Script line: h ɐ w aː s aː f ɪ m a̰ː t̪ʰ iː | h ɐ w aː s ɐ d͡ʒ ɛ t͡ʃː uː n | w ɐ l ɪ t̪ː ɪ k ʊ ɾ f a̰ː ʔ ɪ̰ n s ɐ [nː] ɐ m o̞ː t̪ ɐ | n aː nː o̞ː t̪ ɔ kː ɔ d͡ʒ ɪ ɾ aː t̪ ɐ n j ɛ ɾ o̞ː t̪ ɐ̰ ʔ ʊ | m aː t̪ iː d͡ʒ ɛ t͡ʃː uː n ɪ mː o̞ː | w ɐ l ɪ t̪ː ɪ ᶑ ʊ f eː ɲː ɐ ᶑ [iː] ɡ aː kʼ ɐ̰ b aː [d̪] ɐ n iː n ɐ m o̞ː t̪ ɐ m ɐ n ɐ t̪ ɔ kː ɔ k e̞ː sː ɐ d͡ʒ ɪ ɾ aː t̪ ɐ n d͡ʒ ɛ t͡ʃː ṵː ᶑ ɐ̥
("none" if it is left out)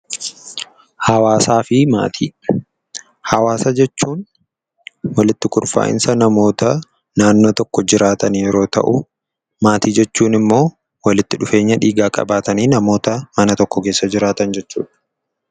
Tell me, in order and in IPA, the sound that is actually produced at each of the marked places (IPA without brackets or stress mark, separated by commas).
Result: n, iː, t̪